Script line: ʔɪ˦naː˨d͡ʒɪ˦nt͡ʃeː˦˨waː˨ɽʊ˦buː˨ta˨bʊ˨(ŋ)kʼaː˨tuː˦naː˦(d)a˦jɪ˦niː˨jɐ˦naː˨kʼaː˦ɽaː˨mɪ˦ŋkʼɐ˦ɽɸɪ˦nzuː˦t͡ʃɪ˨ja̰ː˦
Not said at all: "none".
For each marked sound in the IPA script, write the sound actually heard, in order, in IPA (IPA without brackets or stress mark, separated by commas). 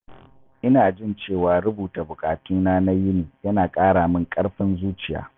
none, n